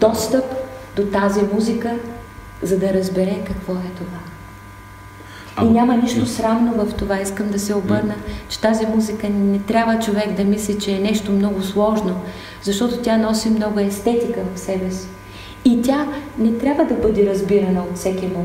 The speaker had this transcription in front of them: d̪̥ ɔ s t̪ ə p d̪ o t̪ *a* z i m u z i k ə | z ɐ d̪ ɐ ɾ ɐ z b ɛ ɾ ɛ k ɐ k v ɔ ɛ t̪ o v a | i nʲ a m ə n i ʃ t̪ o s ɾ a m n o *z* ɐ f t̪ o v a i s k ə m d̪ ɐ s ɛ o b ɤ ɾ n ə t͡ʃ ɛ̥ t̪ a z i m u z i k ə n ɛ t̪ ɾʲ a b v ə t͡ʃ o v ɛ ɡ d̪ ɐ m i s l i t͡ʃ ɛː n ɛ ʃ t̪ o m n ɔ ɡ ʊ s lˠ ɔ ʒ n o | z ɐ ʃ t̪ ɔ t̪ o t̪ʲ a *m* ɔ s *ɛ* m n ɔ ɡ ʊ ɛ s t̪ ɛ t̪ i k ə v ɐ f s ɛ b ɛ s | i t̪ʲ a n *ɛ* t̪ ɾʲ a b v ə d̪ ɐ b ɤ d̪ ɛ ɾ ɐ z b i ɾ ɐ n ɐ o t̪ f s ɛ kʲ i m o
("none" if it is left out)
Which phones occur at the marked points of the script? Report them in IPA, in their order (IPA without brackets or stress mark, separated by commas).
a, v, n, i, ɛ